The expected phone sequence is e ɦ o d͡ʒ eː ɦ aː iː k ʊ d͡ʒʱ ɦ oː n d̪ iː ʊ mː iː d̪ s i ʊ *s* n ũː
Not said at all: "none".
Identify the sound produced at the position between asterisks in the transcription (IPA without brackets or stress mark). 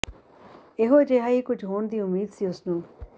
s